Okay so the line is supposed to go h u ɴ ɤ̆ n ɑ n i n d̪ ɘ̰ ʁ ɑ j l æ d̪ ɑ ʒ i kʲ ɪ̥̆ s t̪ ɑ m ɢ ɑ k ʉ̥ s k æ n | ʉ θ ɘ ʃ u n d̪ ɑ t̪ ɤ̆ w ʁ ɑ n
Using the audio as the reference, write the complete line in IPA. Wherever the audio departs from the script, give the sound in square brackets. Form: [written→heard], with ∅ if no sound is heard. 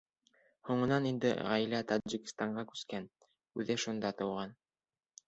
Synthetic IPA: h u ɴ ɤ̆ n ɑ n i n d̪ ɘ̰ ʁ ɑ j l æ [d̪→t̪] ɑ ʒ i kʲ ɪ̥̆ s t̪ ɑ [m→ɴ] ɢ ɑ k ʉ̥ s k æ n | ʉ [θ→ð] ɘ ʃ u n d̪ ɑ t̪ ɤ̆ w ʁ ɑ n